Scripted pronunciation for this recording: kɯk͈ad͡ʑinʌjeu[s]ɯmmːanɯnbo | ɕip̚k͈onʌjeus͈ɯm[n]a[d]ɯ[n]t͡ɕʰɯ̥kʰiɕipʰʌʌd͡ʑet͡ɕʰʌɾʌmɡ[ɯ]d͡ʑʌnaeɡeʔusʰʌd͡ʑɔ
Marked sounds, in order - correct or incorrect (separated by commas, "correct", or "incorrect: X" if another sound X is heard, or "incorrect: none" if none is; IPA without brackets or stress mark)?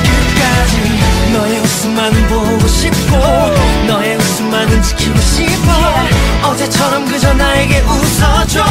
correct, incorrect: m, incorrect: n, correct, correct